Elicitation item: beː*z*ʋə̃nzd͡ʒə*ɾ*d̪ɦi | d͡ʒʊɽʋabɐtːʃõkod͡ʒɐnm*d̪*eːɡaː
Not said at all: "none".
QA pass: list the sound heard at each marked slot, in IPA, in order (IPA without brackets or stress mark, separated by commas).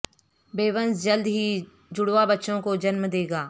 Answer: none, l, d̪